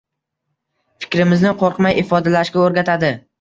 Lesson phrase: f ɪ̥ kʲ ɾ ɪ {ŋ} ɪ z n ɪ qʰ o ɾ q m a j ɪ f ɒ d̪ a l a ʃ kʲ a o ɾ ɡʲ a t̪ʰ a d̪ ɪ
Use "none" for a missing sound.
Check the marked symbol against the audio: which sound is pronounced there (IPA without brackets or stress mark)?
m